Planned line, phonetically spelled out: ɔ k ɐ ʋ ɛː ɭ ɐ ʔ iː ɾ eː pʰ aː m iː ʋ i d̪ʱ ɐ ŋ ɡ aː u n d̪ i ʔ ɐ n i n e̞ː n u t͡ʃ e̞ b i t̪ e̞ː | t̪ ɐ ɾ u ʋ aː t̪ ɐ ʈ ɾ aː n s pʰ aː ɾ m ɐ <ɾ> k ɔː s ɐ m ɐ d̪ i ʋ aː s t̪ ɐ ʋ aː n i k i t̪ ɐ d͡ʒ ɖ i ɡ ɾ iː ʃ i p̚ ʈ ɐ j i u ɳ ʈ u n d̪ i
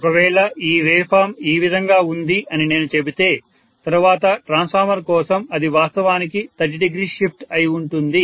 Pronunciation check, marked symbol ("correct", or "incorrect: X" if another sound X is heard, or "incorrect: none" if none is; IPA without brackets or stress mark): correct